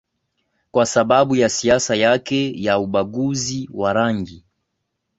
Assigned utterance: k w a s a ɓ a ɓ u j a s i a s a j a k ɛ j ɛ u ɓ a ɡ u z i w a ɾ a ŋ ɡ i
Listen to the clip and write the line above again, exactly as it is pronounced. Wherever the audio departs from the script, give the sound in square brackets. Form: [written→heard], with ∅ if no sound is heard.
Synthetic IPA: k w a s a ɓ a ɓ u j a s i a s a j a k ɛ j [ɛ→a] u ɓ a ɡ u z i w a ɾ a ŋ ɡ i